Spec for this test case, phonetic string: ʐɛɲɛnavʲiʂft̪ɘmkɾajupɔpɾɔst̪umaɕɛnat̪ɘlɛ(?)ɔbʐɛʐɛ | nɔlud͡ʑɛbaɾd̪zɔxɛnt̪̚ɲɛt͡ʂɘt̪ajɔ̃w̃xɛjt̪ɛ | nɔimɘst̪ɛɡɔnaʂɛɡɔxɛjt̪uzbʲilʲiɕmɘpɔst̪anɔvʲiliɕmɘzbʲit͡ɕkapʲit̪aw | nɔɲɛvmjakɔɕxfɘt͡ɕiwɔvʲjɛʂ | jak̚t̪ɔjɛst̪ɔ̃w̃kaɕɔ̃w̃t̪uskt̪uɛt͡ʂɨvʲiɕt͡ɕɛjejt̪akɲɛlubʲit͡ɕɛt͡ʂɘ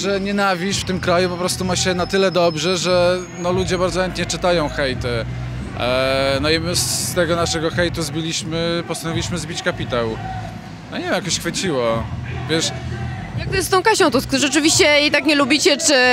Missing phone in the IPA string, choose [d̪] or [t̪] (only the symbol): d̪